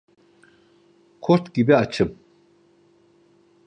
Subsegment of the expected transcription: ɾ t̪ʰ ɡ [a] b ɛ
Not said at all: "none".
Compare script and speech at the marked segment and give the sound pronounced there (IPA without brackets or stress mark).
i